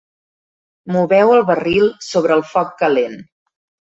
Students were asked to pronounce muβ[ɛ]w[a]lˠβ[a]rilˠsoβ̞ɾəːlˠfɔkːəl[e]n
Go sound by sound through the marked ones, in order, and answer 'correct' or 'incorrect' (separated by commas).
correct, incorrect, incorrect, correct